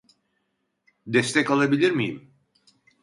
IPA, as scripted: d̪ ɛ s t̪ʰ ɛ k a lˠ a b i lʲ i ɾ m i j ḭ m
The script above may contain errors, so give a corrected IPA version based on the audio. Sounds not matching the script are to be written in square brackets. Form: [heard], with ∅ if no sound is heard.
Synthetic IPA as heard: d̪ ɛ s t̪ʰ ɛ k a lˠ a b i lʲ i ɾ m i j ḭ m